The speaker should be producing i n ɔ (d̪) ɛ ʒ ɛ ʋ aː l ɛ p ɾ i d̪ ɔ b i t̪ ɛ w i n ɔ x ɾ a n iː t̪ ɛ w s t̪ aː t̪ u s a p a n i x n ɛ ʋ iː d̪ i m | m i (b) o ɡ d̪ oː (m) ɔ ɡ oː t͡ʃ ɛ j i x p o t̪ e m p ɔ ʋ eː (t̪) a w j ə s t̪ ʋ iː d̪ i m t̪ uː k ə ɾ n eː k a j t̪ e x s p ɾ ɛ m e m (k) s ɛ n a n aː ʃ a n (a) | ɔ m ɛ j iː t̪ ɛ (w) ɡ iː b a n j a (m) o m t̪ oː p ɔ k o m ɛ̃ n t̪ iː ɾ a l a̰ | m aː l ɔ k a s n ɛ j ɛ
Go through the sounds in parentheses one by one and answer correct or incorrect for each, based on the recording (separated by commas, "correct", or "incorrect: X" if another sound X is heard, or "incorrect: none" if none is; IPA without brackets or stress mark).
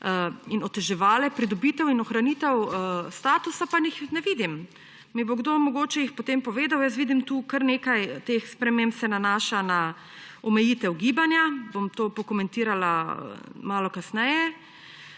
incorrect: t̪, correct, correct, incorrect: d̪, incorrect: p, correct, correct, incorrect: b